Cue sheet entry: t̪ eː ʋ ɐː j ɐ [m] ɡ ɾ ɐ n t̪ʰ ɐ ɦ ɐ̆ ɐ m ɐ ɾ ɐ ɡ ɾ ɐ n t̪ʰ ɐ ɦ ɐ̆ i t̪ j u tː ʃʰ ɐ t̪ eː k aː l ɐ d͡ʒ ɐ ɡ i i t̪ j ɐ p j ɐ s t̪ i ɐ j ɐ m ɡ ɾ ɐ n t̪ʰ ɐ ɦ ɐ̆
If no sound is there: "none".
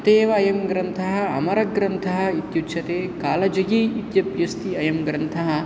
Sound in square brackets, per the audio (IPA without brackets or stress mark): m